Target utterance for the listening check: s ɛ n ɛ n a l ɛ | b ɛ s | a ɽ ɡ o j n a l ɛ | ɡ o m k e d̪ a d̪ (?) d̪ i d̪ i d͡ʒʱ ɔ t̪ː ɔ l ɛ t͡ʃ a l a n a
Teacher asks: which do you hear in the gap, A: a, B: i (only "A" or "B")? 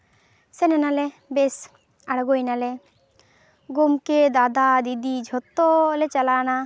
A